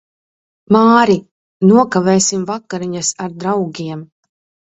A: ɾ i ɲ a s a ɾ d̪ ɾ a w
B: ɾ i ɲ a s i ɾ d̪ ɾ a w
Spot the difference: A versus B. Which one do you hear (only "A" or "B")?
A